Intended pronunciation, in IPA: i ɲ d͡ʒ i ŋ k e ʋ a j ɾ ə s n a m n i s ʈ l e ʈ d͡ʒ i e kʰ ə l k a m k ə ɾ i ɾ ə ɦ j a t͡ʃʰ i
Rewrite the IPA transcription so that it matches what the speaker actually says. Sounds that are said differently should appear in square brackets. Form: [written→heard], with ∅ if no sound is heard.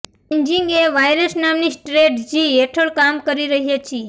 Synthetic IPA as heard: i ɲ d͡ʒ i ŋ [k→ɡ] e ʋ a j ɾ ə s n a m n i s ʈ [l→ɾ] e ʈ d͡ʒ i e [kʰ→ʈʰ] ə [l→ɭ] k a m k ə ɾ i ɾ ə ɦ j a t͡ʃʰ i